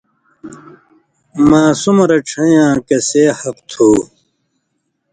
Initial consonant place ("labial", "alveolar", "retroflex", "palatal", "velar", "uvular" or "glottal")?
labial